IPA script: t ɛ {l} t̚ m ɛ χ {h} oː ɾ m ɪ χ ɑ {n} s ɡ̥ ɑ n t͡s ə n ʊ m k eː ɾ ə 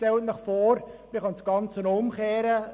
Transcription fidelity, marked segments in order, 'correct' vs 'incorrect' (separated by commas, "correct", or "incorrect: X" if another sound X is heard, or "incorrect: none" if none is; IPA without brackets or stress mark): correct, incorrect: f, correct